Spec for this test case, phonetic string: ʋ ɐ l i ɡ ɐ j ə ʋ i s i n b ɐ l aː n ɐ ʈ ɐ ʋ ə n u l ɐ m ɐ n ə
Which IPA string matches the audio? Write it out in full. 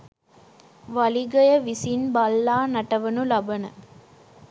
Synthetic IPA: ʋ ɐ l i ɡ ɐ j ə ʋ i s i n b ɐ lː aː n ɐ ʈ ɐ ʋ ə n u l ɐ b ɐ n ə